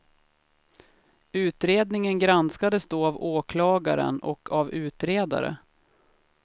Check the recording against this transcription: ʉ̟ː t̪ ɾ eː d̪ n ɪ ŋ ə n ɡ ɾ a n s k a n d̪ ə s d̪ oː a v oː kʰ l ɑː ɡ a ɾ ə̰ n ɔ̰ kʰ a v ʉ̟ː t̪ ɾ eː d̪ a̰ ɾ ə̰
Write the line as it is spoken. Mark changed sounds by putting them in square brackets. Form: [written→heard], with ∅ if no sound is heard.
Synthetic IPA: ʉ̟ː t̪ ɾ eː d̪ n ɪ ŋ ə n ɡ ɾ a n s k a [n→∅] d̪ ə s d̪ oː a v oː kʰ l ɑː ɡ a ɾ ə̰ n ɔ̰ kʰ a v ʉ̟ː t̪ ɾ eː d̪ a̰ ɾ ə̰